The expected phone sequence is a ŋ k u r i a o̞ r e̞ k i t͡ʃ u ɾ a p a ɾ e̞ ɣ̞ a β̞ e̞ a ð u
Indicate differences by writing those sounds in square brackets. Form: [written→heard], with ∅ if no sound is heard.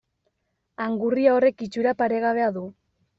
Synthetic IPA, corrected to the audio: a ŋ [k→ɡ] u r i a o̞ r e̞ k i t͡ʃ u ɾ a p a ɾ e̞ ɣ̞ a β̞ e̞ a ð u